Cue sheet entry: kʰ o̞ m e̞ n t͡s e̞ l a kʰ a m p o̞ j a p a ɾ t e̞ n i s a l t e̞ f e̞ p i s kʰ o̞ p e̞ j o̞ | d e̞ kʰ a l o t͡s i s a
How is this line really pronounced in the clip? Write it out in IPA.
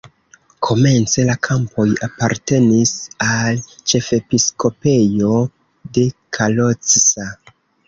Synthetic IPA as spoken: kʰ o̞ m e̞ n t͡s e̞ l a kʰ a m p o̞ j a p a ɾ t e̞ n i s a l t͡ʃ e̞ f e̞ p i s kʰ o̞ p e̞ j o̞ | d e̞ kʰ a l o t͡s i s a